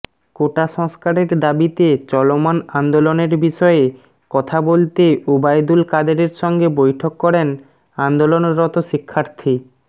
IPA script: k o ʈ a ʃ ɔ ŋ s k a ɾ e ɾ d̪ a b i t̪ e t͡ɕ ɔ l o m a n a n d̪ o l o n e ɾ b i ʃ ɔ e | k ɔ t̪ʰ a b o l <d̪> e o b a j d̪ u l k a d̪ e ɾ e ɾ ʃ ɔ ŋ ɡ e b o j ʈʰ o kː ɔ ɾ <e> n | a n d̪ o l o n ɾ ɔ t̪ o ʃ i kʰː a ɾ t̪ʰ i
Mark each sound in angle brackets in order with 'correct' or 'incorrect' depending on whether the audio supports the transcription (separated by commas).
incorrect, correct